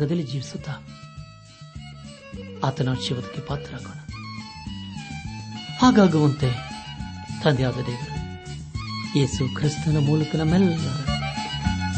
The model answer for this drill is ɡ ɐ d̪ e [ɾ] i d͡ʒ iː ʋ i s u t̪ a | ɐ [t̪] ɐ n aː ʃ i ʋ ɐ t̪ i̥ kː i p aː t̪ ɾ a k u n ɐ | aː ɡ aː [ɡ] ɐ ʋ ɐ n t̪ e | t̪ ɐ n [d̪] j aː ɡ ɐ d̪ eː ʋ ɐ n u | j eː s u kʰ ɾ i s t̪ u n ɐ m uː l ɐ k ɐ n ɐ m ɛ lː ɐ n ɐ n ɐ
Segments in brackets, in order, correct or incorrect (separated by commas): incorrect, correct, correct, correct